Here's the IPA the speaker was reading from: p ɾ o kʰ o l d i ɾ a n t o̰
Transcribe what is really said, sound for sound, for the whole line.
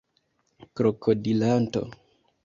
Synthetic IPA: k ɾ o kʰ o d i l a n t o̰